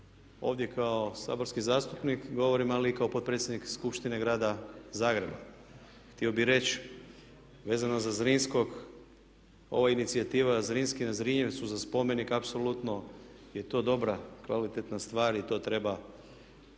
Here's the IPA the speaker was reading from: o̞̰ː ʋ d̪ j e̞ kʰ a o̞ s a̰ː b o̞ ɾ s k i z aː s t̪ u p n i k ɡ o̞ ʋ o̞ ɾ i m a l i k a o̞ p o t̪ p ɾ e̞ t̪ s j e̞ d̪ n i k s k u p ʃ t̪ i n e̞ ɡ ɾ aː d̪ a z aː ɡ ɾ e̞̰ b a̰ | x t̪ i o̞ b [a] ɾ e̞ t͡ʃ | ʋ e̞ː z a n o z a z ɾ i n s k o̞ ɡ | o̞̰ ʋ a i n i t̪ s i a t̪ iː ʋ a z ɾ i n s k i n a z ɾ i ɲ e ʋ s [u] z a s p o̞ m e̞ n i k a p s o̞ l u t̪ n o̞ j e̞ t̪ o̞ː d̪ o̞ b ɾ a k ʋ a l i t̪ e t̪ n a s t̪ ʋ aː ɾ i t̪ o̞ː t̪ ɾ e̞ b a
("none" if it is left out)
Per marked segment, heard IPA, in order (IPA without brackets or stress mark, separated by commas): i, u